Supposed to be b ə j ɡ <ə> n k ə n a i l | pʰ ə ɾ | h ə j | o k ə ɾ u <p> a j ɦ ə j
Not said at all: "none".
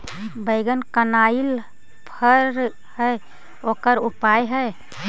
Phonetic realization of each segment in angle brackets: ə, p

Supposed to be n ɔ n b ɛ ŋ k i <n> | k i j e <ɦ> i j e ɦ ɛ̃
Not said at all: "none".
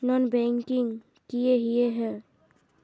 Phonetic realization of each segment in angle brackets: ŋ, ɦ

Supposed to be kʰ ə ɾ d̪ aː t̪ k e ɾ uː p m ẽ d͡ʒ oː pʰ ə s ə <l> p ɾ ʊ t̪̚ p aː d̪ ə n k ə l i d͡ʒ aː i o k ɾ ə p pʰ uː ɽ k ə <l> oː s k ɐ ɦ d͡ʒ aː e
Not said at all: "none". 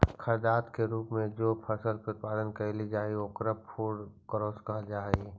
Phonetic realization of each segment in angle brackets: l, ɾ

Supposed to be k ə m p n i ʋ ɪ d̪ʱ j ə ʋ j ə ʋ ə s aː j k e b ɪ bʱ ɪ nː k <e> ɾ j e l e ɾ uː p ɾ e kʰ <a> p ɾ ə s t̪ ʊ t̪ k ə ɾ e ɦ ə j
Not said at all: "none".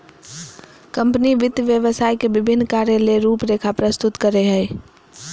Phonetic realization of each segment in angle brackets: a, a

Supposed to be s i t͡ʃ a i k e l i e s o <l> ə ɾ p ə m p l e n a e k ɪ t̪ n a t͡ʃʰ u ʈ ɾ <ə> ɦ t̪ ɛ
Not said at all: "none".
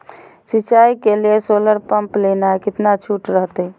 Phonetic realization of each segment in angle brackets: l, ə

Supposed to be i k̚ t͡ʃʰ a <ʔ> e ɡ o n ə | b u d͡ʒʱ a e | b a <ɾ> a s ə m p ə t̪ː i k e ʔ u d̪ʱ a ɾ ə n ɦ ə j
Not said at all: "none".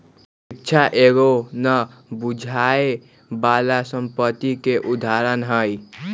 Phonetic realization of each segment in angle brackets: ʔ, l

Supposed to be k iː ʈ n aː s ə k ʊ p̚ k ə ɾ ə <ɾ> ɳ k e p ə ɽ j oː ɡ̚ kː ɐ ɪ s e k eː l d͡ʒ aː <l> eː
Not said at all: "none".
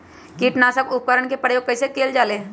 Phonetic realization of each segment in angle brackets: none, l

